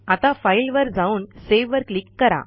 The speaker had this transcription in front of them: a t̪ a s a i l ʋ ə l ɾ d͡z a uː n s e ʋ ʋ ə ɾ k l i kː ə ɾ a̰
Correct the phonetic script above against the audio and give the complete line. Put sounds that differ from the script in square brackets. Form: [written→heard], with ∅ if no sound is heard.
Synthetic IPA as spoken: a t̪ a [s→f] a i l ʋ ə [l→∅] ɾ d͡z a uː n s e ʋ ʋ ə ɾ k l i kː ə ɾ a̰